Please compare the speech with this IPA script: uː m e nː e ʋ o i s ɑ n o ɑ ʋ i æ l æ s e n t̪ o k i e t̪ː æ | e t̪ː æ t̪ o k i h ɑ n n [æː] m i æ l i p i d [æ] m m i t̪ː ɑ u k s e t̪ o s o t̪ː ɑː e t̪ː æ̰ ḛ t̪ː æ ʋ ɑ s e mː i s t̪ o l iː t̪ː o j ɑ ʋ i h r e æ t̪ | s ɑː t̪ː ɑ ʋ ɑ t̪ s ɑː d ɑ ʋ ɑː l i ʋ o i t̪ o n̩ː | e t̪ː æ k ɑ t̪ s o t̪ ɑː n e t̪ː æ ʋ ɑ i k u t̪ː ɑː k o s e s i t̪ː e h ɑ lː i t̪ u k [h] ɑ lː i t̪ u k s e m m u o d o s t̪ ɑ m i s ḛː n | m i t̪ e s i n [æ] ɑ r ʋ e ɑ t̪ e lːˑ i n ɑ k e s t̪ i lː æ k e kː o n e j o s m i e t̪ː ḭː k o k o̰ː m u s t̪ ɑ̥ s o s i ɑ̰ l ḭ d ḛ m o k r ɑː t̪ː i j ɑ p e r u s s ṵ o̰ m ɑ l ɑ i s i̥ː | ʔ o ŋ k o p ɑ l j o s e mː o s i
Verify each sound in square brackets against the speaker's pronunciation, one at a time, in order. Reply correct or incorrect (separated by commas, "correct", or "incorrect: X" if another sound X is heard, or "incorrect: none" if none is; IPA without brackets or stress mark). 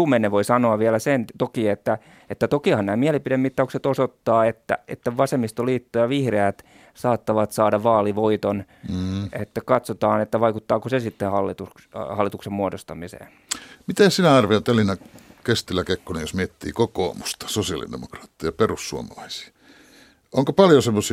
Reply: correct, incorrect: e, correct, correct